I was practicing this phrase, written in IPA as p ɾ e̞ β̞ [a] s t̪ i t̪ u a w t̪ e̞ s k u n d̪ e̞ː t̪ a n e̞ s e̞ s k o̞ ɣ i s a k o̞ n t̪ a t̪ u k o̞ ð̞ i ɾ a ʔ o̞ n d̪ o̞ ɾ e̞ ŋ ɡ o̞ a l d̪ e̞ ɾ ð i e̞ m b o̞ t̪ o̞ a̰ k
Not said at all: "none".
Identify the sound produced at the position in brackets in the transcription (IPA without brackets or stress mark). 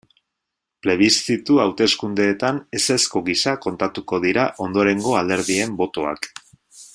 i